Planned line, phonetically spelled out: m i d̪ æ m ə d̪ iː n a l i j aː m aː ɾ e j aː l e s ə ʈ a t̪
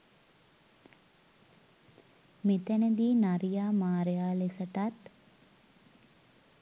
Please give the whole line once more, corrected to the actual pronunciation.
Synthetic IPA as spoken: m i t̪ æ n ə d̪ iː n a ɾ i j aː m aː ɾ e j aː l e s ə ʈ a t̪